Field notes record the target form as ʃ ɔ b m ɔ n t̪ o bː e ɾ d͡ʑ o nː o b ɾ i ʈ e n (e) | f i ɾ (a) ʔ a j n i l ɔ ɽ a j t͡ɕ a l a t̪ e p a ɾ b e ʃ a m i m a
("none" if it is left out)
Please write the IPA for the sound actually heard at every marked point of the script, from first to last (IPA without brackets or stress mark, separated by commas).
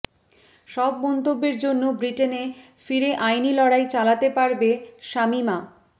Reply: e, e